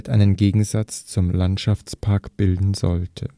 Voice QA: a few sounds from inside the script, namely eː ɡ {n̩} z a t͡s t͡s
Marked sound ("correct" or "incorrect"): incorrect